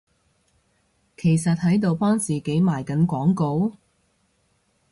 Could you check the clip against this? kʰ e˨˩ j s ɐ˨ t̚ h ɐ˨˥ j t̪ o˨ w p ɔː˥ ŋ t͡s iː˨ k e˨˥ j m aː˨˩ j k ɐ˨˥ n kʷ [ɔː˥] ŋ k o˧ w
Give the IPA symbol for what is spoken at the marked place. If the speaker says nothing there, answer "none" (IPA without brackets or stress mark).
ɔː˨˥